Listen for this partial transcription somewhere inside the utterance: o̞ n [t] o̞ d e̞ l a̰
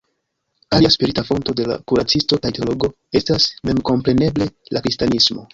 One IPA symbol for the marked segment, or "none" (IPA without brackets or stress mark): t